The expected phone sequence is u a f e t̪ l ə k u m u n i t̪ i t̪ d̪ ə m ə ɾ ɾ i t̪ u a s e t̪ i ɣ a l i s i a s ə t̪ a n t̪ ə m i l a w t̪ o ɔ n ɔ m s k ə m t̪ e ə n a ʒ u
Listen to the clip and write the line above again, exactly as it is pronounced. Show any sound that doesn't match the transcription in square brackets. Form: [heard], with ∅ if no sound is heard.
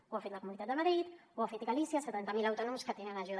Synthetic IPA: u a f e t̪ l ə k u m u n i t̪ [a] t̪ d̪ ə m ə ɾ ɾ i t̪ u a [f] e t̪ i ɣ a l i s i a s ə t̪ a n t̪ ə m i l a w t̪ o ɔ n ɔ m s k ə [∅] t̪ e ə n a ʒ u